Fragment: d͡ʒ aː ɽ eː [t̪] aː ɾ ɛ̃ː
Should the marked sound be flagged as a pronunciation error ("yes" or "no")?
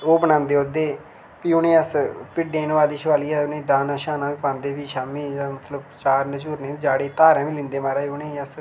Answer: no